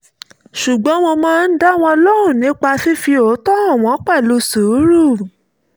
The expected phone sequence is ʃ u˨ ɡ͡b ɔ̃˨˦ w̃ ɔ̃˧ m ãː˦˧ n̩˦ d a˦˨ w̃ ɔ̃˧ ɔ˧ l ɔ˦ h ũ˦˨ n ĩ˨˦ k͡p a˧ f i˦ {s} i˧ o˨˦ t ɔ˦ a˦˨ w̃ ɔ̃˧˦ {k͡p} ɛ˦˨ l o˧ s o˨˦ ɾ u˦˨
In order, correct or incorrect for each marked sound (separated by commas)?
incorrect, correct